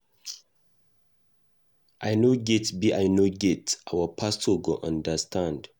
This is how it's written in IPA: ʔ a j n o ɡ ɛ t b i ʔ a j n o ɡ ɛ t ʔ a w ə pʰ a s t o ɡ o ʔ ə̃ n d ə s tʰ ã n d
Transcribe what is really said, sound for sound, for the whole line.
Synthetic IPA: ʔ a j n o ɡ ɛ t b i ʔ a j n o ɡ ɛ t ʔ a w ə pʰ a s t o ɡ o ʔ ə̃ n d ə s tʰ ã n d